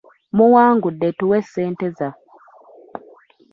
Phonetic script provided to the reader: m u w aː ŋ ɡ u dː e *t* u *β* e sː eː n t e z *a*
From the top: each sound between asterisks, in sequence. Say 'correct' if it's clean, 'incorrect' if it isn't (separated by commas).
correct, incorrect, correct